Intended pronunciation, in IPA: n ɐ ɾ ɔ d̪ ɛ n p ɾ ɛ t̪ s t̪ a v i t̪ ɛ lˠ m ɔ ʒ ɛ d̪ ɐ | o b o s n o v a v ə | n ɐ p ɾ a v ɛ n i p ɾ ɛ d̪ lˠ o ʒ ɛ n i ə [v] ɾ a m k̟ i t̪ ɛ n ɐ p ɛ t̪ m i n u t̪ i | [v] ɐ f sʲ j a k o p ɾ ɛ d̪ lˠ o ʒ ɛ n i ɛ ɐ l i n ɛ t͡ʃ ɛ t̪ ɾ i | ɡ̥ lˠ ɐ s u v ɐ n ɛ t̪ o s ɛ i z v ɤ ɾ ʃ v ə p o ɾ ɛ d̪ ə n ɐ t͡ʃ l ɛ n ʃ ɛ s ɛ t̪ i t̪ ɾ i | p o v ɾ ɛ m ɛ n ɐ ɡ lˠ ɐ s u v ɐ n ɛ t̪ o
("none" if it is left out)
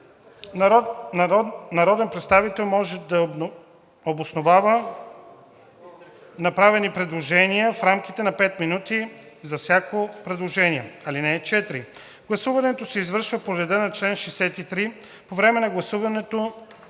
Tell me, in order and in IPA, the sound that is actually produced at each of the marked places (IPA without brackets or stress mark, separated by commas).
f, z